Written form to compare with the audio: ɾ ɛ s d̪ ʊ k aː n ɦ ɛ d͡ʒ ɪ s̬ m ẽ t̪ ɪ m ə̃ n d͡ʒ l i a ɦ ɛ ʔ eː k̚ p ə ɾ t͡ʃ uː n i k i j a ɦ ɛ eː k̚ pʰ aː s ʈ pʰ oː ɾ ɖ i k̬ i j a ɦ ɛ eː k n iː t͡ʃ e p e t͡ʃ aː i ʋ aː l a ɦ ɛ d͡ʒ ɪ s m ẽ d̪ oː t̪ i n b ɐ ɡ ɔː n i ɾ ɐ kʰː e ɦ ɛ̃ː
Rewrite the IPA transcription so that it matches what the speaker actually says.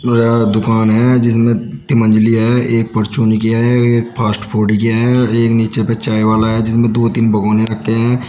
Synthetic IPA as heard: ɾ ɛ d̪ ʊ k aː n ɦ ɛ d͡ʒ ɪ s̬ m ẽ t̪ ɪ m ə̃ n d͡ʒ l i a ɦ ɛ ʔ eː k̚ p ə ɾ t͡ʃ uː n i k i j a ɦ ɛ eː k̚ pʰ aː s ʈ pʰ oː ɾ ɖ i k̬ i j a ɦ ɛ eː k n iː t͡ʃ e p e t͡ʃ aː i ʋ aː l a ɦ ɛ d͡ʒ ɪ s m ẽ d̪ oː t̪ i n b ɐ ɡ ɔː n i ɾ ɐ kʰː e ɦ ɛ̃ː